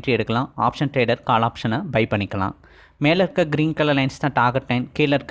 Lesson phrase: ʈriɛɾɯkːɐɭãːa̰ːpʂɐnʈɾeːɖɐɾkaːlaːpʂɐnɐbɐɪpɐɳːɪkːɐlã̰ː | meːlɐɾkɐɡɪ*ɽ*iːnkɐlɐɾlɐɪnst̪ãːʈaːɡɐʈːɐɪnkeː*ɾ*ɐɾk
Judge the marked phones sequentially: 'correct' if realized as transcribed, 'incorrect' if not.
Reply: incorrect, incorrect

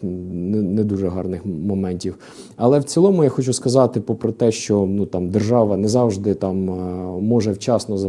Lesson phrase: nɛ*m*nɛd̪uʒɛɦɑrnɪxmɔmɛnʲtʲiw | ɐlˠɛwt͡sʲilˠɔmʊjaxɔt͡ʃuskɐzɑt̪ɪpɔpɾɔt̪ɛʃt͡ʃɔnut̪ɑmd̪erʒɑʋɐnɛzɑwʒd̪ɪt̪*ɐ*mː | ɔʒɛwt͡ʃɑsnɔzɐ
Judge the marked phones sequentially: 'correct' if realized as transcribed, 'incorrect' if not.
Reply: incorrect, incorrect

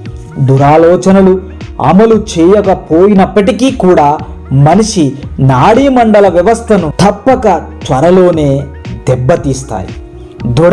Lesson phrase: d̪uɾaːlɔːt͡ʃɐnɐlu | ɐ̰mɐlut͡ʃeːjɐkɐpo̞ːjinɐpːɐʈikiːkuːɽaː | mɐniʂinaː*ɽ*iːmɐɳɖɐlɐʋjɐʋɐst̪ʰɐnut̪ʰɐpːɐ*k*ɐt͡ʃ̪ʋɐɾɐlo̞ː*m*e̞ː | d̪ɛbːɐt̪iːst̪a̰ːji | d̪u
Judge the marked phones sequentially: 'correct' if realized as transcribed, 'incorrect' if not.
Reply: correct, correct, incorrect

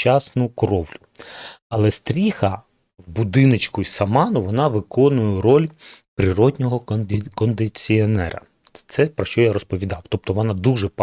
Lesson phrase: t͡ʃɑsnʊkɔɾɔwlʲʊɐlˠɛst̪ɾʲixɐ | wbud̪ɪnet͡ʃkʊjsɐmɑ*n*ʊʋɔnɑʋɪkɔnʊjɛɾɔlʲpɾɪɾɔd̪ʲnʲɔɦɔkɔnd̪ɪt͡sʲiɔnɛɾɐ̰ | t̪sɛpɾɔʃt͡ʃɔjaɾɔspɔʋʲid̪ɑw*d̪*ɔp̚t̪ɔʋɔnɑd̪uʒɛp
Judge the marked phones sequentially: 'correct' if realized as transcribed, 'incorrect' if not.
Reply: correct, incorrect

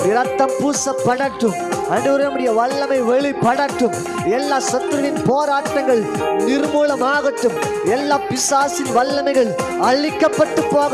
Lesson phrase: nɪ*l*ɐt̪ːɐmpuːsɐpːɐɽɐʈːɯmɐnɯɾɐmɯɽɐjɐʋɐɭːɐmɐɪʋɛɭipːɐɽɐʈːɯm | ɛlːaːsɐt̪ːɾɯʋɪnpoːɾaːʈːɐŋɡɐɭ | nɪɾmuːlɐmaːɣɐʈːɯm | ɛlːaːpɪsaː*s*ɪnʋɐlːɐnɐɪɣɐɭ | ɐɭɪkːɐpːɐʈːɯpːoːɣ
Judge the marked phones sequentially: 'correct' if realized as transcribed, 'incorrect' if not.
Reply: incorrect, correct

